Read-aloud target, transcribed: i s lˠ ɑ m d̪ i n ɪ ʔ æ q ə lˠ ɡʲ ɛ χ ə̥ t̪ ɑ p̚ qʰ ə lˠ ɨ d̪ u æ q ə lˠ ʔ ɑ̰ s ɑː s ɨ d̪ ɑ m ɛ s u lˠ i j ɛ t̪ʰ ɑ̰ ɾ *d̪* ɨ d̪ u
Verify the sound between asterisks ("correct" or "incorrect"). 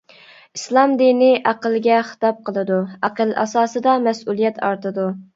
incorrect